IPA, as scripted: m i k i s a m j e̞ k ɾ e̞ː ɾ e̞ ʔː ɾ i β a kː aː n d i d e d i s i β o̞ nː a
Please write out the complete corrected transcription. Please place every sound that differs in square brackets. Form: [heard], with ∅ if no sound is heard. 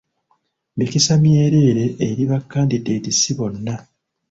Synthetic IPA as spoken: m i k i s a m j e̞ [∅] ɾ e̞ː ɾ e̞ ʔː ɾ i β a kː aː n d i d e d i s i β o̞ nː a